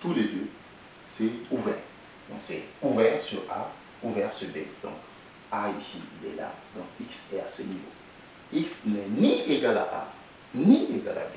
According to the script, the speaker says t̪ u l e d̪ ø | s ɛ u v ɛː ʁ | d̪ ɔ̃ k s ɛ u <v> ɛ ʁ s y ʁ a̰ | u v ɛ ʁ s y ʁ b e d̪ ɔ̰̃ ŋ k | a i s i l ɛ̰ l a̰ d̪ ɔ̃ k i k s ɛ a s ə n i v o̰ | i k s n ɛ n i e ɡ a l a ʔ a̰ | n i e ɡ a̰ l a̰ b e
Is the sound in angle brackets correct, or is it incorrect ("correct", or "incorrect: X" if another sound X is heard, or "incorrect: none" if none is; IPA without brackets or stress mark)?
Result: correct